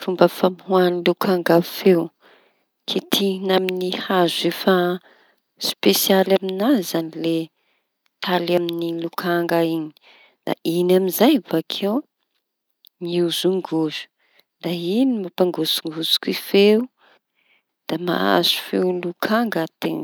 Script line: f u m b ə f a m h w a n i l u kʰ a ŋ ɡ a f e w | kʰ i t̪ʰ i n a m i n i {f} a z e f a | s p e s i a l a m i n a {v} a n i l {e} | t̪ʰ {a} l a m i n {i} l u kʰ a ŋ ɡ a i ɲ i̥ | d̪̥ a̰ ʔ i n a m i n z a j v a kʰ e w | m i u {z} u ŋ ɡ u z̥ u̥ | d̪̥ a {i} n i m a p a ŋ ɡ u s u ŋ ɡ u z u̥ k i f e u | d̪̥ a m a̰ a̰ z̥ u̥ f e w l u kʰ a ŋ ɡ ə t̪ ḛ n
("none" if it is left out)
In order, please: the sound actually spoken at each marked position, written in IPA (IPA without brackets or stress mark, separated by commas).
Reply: h, z, e, a, i, z, i